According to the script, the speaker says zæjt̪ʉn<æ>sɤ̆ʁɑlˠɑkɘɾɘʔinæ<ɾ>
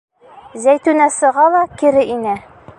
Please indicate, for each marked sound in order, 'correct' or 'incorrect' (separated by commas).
correct, incorrect